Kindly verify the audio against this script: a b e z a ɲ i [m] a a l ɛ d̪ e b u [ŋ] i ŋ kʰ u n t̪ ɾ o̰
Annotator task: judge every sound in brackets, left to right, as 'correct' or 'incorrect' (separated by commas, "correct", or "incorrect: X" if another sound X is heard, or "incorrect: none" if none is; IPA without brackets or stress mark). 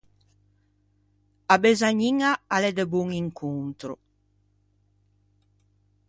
incorrect: ŋ, correct